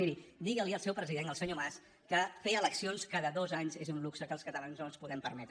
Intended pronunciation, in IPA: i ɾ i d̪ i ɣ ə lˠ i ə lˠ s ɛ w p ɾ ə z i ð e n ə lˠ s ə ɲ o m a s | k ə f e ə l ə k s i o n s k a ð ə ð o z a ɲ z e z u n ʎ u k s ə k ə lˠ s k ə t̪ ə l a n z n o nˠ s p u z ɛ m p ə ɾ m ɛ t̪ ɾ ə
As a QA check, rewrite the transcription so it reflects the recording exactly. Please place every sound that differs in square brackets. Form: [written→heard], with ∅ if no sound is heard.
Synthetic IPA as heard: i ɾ i d̪ i ɣ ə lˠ i ə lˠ s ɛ w p ɾ ə z i ð e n ə lˠ s ə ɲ o m a s | k ə f e ə l ə k s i o n s k a ð ə ð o z a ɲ z e z u n [ʎ→l] u k s ə k ə lˠ s k ə t̪ ə l a n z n o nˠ s p u [z→ð] ɛ m p ə ɾ m ɛ t̪ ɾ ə

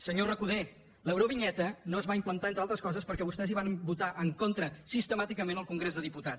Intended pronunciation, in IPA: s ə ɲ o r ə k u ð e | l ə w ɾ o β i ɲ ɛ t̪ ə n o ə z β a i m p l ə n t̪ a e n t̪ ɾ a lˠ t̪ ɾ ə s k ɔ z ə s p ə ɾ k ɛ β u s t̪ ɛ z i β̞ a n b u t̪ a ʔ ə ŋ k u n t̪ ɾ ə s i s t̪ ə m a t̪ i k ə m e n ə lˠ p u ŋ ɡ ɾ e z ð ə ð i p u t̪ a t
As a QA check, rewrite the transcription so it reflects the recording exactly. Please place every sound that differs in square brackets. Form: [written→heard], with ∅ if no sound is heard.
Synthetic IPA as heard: s ə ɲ o r ə k u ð e | l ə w ɾ o β i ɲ ɛ t̪ ə n o ə z β a i m p l ə n t̪ a e n t̪ ɾ a lˠ t̪ ɾ ə s k ɔ z ə s p ə ɾ k ɛ β u s t̪ ɛ z i β̞ a n b u t̪ a ʔ ə ŋ k [u→o] n t̪ ɾ ə s i s t̪ ə m a t̪ i k ə m e n ə lˠ [p→k] u ŋ ɡ ɾ e z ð ə ð i p u t̪ a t

